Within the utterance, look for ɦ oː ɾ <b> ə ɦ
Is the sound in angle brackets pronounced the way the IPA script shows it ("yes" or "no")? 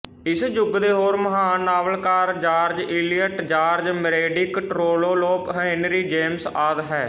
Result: no